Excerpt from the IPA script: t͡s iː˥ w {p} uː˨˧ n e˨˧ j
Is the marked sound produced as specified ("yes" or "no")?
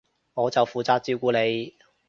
no